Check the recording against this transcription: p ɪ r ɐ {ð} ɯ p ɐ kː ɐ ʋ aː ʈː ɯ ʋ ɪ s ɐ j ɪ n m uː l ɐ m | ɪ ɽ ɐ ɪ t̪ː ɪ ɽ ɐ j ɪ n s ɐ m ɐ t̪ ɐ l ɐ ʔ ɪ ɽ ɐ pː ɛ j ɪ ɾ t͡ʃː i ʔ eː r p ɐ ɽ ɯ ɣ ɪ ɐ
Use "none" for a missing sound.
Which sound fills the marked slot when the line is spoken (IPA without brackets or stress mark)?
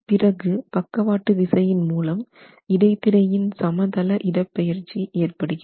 ɣ